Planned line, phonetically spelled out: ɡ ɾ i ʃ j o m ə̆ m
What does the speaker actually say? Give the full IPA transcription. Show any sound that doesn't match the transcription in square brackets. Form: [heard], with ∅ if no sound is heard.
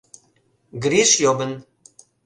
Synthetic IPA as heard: ɡ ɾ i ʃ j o [b] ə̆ [n]